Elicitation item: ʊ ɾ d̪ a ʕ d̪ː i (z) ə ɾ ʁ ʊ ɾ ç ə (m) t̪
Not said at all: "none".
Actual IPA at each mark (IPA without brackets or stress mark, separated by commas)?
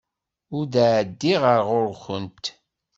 ʁ, n